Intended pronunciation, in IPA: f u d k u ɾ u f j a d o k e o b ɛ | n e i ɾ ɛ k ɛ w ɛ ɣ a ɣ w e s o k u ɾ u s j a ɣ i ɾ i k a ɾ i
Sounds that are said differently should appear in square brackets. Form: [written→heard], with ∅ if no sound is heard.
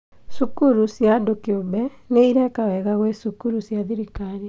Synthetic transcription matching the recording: [f→s] u [d→∅] k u ɾ u [f→s] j a d o k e o b ɛ | n e i ɾ ɛ k [ɛ→a] w ɛ ɣ a ɣ w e s [o→u] k u ɾ u s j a [ɣ→ð] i ɾ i k a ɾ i